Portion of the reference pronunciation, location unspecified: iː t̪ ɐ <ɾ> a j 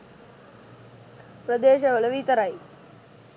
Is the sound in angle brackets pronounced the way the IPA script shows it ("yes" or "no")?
yes